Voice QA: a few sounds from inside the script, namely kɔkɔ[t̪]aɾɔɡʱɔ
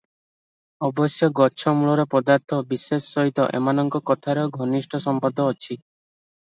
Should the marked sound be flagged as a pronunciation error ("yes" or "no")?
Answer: yes